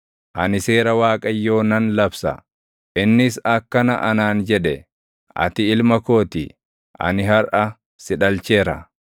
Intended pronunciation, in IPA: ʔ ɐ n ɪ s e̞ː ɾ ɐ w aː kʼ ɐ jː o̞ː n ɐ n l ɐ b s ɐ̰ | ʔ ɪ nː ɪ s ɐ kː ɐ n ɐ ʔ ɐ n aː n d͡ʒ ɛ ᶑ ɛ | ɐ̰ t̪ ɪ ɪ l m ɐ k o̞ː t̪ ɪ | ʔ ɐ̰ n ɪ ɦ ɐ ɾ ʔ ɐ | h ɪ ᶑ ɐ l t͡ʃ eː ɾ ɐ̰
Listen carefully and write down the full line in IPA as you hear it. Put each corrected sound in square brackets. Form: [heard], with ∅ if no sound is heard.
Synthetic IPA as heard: ʔ ɐ n ɪ s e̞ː ɾ ɐ w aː kʼ ɐ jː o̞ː n ɐ n l ɐ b s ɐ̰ | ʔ ɪ nː ɪ s ɐ kː ɐ n ɐ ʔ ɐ n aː n d͡ʒ ɛ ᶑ ɛ | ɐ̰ t̪ ɪ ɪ l m ɐ k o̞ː t̪ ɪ | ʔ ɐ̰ n ɪ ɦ ɐ ɾ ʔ ɐ | [s] ɪ ᶑ ɐ l t͡ʃ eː ɾ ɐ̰